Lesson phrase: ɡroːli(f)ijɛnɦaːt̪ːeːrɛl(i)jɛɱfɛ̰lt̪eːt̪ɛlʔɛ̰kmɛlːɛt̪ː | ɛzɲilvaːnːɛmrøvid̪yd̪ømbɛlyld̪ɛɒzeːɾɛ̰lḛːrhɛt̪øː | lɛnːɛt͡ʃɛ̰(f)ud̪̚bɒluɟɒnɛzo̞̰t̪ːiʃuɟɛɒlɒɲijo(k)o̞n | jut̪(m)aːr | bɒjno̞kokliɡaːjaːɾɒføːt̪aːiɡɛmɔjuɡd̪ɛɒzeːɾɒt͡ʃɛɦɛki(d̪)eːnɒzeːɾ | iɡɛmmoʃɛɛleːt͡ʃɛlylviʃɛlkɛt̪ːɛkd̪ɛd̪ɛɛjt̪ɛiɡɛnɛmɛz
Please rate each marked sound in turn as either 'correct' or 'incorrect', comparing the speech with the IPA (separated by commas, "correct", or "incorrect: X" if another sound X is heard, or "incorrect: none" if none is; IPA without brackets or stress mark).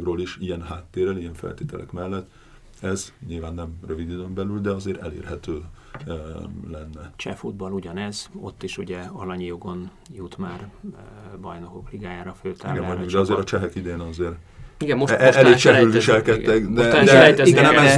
incorrect: ʃ, correct, correct, incorrect: ɡ, correct, correct